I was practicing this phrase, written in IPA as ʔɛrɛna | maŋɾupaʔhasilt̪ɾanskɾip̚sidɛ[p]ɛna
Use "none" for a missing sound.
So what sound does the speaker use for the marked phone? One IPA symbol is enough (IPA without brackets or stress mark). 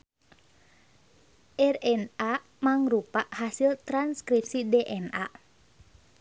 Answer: ʔ